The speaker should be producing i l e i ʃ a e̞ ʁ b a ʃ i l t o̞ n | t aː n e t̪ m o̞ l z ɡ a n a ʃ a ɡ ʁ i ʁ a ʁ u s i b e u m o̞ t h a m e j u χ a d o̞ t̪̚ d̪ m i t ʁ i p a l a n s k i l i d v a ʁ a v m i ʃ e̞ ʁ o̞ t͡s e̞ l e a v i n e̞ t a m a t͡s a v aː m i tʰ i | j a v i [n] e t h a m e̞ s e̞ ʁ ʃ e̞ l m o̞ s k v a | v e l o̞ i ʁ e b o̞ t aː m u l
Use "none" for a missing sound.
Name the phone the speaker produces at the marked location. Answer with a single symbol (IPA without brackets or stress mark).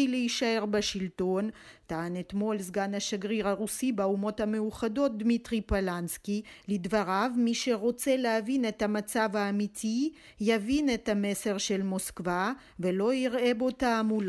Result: n